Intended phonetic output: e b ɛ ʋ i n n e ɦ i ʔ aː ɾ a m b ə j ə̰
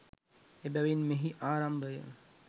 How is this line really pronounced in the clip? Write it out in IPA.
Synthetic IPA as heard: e b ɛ ʋ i n m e ɦ i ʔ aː ɾ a m b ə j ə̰